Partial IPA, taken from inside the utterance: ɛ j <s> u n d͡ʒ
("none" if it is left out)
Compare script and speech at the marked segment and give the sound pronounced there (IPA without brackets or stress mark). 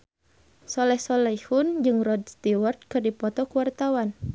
h